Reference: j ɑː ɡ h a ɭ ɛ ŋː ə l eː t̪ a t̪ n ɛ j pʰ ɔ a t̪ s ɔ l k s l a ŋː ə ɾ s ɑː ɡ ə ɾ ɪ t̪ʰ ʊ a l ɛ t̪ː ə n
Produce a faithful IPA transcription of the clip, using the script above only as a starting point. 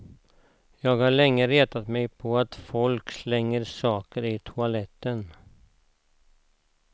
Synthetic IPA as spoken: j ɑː ɡ h a ɭ ɛ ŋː ə ɾ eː t̪ a t̪ m ɛ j pʰ ɔ a t̪ f ɔ l k s l ɛ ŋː ə ɾ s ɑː k ə ɾ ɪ t̪ʰ ʊ a l ɛ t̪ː ə n